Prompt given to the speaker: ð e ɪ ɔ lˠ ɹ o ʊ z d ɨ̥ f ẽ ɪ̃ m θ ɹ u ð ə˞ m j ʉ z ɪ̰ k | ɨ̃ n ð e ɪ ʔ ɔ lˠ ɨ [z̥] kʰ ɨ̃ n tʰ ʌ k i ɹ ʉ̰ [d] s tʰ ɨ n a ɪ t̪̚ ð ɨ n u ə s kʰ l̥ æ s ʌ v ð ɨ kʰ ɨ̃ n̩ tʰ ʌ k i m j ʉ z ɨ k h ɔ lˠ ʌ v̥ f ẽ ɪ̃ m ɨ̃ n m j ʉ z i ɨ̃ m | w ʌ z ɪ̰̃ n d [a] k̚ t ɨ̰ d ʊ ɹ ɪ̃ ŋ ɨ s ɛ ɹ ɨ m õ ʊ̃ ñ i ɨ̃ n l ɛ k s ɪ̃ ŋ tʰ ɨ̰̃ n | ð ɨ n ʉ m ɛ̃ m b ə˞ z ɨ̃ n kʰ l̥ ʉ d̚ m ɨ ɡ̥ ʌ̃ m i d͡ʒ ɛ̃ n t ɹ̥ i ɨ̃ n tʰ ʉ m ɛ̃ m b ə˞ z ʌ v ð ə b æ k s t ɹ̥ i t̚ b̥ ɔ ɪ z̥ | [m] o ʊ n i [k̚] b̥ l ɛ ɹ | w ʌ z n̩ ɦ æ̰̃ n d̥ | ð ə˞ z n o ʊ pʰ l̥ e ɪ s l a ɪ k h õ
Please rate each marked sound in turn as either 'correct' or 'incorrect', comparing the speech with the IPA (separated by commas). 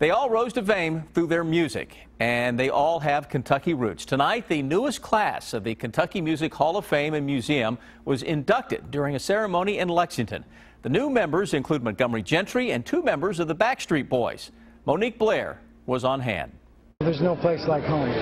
incorrect, incorrect, incorrect, correct, correct